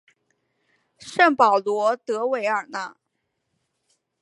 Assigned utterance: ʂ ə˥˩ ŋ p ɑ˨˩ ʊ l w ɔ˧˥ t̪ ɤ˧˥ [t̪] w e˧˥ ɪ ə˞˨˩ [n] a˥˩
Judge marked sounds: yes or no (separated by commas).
no, yes